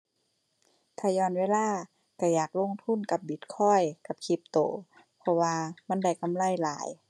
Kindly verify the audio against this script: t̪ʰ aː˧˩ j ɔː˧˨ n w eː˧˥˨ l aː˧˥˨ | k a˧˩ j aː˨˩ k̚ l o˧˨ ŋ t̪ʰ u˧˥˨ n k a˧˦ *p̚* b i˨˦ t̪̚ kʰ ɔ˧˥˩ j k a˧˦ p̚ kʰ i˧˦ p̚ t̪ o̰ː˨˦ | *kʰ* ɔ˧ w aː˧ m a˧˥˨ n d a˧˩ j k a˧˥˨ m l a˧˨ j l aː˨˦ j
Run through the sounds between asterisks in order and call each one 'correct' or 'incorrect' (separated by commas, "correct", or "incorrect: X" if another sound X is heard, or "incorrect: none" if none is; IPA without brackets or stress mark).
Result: correct, incorrect: pʰ